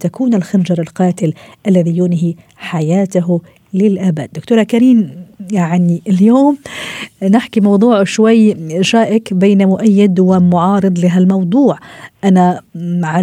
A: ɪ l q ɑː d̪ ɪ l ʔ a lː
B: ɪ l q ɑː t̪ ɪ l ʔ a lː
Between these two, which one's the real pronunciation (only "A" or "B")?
B